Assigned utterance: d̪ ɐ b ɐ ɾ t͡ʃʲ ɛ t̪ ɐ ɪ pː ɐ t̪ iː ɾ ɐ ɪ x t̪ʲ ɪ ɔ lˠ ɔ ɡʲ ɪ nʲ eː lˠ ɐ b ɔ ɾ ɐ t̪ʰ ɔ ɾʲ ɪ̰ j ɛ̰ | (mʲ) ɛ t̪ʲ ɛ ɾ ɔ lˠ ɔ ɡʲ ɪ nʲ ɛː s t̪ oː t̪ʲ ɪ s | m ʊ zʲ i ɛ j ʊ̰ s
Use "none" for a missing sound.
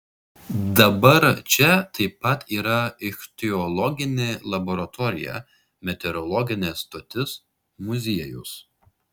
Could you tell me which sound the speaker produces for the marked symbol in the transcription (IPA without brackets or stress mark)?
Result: mʲ